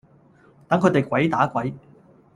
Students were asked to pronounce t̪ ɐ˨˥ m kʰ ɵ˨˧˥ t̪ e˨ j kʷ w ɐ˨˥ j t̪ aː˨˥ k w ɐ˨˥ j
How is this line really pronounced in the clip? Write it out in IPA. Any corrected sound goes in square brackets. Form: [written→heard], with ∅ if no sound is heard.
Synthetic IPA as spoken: t̪ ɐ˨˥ [m→ŋ] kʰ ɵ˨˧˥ t̪ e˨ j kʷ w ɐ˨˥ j t̪ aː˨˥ k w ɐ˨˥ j